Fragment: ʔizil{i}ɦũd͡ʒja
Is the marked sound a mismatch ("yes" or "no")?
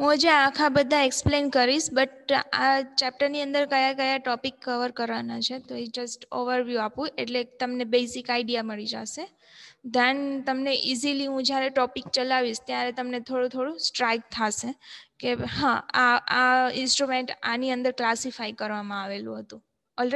no